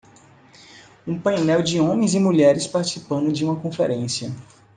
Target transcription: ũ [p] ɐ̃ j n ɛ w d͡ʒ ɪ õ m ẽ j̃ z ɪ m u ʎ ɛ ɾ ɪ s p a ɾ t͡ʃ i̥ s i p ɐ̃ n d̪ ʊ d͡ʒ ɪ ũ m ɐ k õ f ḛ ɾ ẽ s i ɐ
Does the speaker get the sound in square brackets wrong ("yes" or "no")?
no